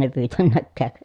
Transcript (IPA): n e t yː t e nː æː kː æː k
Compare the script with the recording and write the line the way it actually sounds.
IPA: n e p yː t æ nː æ kː æː k